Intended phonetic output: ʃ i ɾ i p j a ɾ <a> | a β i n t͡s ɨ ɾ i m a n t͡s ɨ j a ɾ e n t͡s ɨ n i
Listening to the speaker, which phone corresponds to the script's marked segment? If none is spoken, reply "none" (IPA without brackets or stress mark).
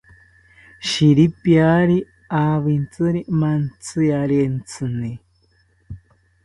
i